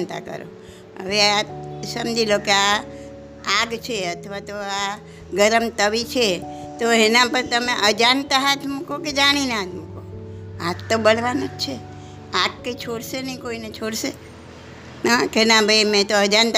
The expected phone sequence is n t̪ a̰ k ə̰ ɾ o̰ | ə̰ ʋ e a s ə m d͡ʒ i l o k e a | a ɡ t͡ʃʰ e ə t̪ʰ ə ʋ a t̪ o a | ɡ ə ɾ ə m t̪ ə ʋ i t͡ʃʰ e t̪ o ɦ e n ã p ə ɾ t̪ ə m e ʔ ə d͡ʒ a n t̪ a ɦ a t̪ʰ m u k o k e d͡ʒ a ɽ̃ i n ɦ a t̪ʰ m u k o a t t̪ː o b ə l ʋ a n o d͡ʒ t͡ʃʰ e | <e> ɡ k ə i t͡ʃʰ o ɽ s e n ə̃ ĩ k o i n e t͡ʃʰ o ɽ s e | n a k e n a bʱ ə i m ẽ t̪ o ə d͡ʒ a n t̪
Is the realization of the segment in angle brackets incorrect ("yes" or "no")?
yes